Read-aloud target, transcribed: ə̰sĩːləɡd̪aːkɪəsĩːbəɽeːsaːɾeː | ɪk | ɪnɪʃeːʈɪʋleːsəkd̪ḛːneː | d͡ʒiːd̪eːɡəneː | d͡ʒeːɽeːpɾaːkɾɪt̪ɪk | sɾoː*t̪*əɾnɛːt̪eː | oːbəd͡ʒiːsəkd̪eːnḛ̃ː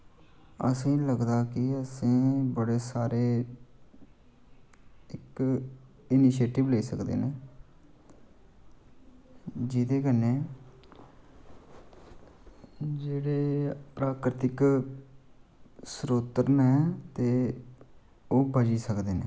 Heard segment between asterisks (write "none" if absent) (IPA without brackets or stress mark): t̪